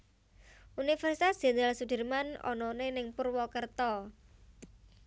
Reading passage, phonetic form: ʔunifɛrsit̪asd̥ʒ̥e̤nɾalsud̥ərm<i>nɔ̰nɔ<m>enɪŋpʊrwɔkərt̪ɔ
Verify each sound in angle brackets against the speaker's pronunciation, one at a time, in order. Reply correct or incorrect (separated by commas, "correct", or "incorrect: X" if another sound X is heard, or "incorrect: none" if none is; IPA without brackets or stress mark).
incorrect: a, incorrect: n